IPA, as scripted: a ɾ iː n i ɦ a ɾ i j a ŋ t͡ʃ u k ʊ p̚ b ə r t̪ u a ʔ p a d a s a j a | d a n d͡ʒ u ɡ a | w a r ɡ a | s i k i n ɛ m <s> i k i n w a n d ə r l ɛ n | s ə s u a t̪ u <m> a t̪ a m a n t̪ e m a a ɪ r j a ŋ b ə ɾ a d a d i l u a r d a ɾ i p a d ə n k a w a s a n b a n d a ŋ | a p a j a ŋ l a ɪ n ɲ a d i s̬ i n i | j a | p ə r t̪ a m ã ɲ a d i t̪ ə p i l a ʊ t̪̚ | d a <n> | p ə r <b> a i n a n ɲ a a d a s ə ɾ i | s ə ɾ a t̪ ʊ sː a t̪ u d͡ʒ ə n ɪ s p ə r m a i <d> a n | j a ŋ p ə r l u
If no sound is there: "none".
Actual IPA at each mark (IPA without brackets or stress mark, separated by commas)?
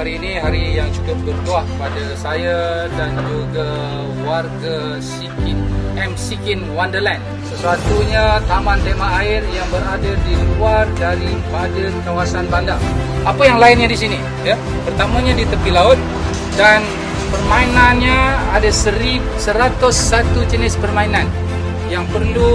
s, ɲ, n, m, n